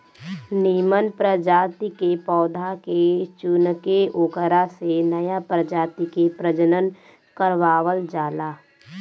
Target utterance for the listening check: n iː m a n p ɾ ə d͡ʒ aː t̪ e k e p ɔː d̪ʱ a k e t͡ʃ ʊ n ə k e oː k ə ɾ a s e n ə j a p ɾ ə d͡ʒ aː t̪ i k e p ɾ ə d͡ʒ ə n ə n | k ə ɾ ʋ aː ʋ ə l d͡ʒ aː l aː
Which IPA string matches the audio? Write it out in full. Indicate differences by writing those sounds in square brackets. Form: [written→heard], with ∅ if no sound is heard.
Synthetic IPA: n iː m [a→ə] n p ɾ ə d͡ʒ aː t̪ [e→i] k e p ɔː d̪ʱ a k e t͡ʃ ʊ n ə k e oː k ə ɾ a s e n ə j a p ɾ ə d͡ʒ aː t̪ i k e p ɾ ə d͡ʒ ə n ə n | k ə ɾ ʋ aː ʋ ə l d͡ʒ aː l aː